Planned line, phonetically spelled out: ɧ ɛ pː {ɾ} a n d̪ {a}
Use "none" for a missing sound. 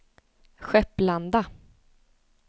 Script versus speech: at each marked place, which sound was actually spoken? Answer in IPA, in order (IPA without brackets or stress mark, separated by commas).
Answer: l, a